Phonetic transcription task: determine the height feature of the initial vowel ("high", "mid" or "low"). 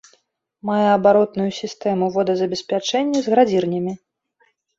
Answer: low